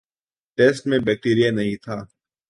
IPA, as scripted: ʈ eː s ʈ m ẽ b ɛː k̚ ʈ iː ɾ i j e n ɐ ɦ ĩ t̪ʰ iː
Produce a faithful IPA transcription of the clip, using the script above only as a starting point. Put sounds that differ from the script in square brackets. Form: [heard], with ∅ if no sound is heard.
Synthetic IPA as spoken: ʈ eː s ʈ m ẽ b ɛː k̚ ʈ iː ɾ i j [a] n ɐ ɦ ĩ t̪ʰ [aː]